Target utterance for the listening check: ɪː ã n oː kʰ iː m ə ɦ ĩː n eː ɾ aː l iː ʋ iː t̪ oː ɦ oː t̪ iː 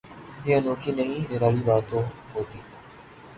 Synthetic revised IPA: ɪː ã n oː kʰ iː n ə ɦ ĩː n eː ɾ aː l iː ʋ aː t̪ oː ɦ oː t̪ iː